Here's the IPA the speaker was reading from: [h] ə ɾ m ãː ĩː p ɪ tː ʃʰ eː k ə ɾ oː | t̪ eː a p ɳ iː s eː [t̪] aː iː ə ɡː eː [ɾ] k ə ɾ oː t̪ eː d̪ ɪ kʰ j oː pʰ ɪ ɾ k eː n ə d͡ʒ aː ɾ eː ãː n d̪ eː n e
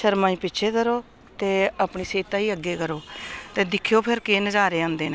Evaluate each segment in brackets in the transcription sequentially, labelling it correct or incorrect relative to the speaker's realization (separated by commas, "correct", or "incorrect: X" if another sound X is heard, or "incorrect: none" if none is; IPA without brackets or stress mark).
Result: incorrect: ʃ, correct, incorrect: none